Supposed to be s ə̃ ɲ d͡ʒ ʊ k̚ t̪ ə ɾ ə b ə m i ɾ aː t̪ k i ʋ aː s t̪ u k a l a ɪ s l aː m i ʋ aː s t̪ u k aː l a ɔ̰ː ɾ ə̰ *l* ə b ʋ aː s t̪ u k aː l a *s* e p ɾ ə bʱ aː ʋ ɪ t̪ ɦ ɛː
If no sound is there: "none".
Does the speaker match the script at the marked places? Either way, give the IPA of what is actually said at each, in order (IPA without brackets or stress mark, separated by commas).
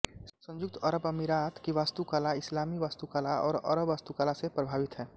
ɾ, s